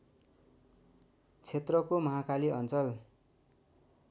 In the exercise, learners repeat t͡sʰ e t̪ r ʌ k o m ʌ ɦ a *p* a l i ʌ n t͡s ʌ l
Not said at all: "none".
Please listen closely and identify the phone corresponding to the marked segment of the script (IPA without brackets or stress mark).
k